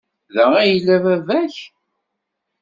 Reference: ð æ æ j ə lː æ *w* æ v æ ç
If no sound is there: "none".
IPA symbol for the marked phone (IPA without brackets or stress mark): v